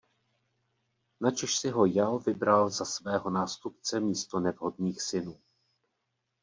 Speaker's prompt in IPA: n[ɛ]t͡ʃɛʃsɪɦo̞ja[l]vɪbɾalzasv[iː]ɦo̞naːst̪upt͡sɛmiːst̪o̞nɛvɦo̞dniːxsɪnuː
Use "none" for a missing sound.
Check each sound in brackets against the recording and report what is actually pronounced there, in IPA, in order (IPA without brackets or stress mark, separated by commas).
a, l, ɛː